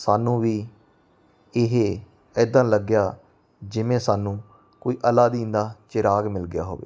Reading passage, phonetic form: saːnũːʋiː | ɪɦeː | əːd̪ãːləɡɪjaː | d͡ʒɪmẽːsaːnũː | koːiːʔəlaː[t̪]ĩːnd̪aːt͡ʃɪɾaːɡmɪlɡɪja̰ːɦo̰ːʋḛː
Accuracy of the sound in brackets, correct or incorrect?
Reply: incorrect